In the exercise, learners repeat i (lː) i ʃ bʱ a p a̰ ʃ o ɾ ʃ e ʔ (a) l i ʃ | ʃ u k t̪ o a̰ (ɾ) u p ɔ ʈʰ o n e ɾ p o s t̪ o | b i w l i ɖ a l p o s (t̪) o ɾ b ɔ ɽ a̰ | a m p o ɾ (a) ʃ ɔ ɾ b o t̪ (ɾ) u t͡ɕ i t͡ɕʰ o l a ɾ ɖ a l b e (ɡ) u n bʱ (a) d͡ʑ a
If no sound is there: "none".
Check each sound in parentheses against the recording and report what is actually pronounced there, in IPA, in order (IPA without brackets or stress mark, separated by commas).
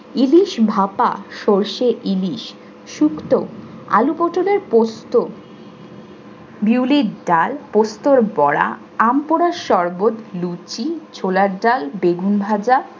l, i, l, t̪, a, l, ɡ, a